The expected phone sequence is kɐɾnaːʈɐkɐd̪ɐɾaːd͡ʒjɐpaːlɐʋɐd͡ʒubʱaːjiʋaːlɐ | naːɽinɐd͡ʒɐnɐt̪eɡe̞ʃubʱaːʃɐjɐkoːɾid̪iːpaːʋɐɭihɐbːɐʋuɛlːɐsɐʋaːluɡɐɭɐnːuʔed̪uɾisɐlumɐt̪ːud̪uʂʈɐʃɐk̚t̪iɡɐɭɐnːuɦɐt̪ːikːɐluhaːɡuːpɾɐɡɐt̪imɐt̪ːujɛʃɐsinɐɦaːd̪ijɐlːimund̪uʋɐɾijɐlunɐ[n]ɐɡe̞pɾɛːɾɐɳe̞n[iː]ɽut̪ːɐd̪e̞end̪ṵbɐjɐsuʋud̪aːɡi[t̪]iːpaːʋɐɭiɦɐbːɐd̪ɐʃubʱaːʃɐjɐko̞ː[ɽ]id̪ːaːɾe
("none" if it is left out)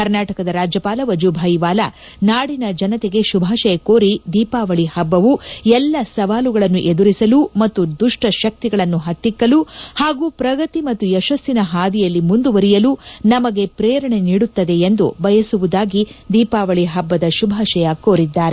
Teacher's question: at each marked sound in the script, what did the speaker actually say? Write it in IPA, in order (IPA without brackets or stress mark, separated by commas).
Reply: m, iː, d̪, ɾ